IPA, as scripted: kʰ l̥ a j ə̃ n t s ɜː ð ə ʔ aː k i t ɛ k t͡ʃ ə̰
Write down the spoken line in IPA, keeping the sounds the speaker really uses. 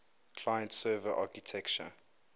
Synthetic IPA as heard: kʰ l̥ a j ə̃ n t s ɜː v ə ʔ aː k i tʰ ɛ k t͡ʃ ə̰